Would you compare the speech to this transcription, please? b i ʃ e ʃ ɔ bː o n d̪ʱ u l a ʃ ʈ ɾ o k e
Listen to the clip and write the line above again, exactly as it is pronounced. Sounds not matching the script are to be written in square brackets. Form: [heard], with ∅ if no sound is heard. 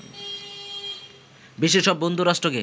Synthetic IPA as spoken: b i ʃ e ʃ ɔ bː o n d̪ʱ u [ɾ] a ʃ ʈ ɾ o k e